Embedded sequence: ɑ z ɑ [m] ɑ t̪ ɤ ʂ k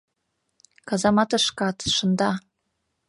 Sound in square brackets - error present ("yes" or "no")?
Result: no